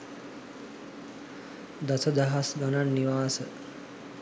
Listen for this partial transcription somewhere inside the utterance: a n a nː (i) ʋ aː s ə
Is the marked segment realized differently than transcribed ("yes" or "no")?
no